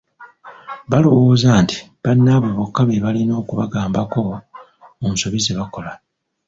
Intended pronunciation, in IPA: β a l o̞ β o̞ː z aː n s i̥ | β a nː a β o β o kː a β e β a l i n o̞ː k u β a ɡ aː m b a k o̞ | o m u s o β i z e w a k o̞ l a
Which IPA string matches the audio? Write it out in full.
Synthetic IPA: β a l o̞ w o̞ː z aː n t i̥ | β a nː a β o β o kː a β e β a l i n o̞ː k u β a ɡ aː m b a k o̞ | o m u s o β i z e β a k o̞ l a